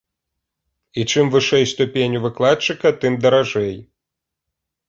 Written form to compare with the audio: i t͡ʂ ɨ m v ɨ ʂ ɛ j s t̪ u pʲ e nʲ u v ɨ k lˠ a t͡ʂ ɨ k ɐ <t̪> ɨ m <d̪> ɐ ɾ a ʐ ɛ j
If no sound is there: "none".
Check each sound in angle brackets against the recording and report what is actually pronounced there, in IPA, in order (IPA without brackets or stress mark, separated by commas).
t̪, d̪